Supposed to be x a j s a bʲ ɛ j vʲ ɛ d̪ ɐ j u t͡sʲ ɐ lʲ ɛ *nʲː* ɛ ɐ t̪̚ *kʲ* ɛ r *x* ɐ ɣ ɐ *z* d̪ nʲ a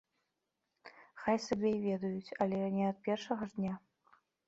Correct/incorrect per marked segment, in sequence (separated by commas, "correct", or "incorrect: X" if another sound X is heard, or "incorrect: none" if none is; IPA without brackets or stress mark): incorrect: nʲ, incorrect: pʲ, incorrect: ʂ, incorrect: ʐ